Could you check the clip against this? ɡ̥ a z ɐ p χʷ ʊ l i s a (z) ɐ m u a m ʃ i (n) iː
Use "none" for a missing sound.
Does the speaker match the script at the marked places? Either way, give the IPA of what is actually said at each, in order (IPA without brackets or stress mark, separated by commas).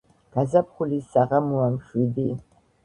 ʁ, d